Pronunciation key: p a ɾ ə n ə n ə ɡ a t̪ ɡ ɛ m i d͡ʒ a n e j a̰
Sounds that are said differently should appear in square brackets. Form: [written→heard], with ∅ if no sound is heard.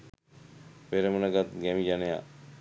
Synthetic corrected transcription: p [a→e] ɾ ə [n→m] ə n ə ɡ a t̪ ɡ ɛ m i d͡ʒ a n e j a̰